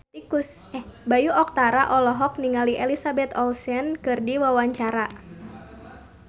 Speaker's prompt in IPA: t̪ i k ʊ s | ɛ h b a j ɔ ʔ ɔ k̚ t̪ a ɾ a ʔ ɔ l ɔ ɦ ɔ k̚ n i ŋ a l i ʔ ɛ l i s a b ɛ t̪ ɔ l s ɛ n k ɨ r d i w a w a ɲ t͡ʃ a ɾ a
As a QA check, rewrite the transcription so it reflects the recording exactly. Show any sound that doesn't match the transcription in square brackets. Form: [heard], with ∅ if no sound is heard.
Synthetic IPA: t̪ i k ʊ s | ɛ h b a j [u] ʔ ɔ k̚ t̪ a ɾ a ʔ ɔ l ɔ ɦ ɔ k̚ n i ŋ a l i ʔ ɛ l i s a b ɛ t̪ ɔ l s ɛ n k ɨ r d i w a w a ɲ t͡ʃ a ɾ a

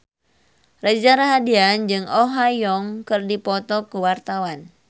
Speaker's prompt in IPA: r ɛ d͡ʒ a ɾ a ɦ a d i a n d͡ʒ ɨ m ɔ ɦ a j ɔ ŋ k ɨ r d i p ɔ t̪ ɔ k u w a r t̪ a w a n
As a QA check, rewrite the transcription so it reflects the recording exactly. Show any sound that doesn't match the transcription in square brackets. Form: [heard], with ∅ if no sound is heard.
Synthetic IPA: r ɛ d͡ʒ a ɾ a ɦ a d i a n d͡ʒ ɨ [ŋ] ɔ ɦ a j ɔ ŋ k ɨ r d i p ɔ t̪ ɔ k u w a r t̪ a w a n

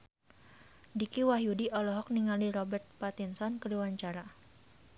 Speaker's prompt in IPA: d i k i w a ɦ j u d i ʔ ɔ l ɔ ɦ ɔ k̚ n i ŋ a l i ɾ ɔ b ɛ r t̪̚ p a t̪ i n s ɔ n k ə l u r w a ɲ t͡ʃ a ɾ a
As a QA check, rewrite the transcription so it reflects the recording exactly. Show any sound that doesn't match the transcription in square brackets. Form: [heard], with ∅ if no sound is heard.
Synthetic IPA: d i k i w a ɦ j u d i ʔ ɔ l ɔ ɦ ɔ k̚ n i ŋ a l i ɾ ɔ b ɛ r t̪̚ p a t̪ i n s ɔ n k ə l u [∅] w a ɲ t͡ʃ a ɾ a

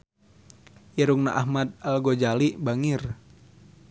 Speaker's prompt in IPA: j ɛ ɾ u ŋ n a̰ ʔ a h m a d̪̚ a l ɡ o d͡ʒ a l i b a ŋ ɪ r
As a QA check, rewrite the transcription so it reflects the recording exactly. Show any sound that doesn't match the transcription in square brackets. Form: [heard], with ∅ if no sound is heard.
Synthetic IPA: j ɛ ɾ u ŋ n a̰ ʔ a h m a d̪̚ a l ɡ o d͡ʒ a l i b a ŋ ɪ r

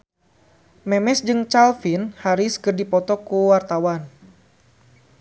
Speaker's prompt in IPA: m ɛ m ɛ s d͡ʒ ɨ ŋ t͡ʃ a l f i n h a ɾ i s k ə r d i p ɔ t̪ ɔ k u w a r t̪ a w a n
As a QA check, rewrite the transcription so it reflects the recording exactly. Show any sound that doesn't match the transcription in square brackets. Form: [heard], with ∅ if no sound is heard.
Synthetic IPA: m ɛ m ɛ s d͡ʒ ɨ ŋ t͡ʃ a l f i n h a ɾ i s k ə r d i p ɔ t̪ ɔ k u w a r t̪ a w a n

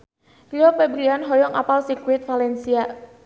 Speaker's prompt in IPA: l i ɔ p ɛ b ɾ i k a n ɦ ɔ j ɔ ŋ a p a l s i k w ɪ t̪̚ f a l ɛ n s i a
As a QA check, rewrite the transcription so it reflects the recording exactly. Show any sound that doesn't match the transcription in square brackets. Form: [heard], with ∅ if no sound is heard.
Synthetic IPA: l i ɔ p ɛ b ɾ i [∅] a n ɦ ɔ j ɔ ŋ a p a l s i k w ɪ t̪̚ f a l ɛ n s i a

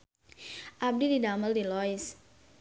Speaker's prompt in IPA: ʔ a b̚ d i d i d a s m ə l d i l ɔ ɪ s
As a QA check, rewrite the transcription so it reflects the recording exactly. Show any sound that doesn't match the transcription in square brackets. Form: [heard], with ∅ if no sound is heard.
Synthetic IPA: ʔ a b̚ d i d i d a [∅] m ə l d i l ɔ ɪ s

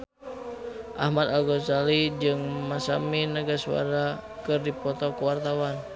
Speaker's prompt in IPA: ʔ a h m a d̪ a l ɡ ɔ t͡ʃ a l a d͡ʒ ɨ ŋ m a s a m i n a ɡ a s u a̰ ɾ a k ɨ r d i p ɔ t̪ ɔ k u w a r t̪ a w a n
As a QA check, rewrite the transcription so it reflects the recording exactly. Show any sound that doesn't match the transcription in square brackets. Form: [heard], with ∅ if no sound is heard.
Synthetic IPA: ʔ a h m a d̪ a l ɡ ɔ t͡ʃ a l [i] d͡ʒ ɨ ŋ m a s a m i n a ɡ a s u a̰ ɾ a k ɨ r d i p ɔ t̪ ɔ k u w a r t̪ a w a n

